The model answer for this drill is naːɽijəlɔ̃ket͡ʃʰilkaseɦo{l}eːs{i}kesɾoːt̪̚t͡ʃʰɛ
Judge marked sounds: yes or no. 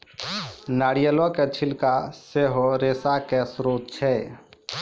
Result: no, no

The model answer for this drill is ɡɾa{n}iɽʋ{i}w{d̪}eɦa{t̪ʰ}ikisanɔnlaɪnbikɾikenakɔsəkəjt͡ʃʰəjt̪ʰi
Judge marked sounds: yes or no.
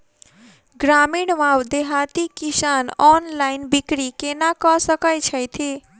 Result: no, no, yes, no

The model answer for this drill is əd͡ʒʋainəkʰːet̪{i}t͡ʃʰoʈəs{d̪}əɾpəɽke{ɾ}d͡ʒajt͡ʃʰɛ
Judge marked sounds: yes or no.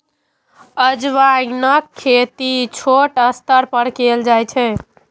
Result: yes, no, no

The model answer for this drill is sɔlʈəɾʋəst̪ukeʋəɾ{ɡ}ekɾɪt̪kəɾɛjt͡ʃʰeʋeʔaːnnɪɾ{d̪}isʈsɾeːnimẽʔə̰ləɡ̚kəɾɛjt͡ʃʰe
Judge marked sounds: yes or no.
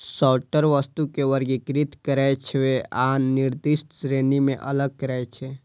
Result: yes, yes

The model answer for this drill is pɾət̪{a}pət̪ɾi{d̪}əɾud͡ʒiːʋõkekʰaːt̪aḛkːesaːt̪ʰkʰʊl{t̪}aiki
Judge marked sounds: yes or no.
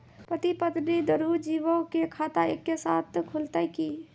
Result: no, yes, yes

